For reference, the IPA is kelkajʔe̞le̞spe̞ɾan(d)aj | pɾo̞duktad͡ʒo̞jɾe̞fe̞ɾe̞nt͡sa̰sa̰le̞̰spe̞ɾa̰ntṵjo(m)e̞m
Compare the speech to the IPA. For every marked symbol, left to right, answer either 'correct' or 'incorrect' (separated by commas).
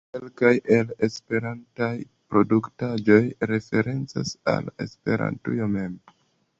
incorrect, correct